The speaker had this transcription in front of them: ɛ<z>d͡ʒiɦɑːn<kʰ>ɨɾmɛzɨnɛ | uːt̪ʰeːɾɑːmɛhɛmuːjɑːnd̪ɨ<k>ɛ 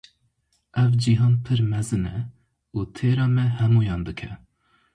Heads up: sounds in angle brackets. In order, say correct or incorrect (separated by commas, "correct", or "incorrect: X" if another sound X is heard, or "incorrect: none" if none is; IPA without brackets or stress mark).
incorrect: v, incorrect: pʰ, incorrect: kʰ